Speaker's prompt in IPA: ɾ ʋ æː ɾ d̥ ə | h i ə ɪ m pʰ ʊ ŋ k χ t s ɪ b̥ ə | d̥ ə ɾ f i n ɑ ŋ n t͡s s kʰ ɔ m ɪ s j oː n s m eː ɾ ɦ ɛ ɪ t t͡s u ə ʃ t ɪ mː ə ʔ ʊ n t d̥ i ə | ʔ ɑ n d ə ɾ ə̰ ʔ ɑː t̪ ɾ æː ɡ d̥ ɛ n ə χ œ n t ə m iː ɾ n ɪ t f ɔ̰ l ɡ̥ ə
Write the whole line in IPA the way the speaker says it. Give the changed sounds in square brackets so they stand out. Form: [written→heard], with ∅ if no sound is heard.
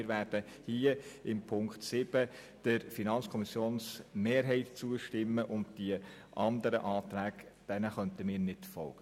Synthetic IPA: ɾ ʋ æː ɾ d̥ ə | h i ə ɪ m pʰ ʊ ŋ k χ t s ɪ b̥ ə | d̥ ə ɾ f i n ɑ [ŋ→∅] n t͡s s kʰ ɔ m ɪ s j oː n s m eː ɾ ɦ ɛ ɪ t t͡s u ə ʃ t ɪ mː ə ʔ ʊ n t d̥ i ə | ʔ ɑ n d ə ɾ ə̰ ʔ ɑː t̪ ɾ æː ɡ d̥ ɛ n ə χ œ n t ə m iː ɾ n ɪ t f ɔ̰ l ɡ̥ ə

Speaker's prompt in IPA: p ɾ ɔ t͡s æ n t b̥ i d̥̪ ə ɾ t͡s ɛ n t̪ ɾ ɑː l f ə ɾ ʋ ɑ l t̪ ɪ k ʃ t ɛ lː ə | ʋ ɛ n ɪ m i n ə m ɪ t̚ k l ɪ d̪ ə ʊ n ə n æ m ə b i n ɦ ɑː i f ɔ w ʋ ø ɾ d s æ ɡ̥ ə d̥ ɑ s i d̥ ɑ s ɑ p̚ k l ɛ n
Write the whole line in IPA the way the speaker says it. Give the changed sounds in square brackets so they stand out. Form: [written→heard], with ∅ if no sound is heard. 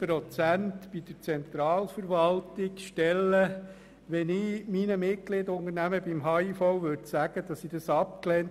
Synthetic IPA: p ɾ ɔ t͡s æ n t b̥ i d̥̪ ə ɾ t͡s ɛ n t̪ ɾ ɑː l f ə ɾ ʋ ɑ l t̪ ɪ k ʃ t ɛ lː ə | ʋ ɛ n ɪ m i n ə m ɪ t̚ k l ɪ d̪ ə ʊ n ə n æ m ə b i [n→m] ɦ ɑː i f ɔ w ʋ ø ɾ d s æ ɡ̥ ə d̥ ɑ s i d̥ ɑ s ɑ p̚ k l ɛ n

